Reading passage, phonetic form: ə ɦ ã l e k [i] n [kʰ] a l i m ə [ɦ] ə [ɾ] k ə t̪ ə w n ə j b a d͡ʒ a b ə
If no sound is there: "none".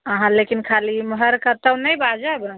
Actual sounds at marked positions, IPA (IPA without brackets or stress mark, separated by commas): i, kʰ, ɦ, ɾ